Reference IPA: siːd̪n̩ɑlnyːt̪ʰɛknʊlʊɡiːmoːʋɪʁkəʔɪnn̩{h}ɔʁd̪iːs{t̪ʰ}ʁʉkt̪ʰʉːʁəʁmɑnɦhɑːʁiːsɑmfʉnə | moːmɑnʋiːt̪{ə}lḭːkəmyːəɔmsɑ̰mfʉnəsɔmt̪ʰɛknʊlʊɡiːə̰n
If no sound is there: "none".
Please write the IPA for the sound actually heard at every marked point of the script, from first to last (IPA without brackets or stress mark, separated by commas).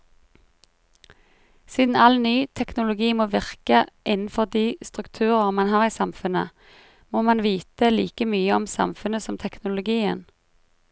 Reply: f, t̪, ə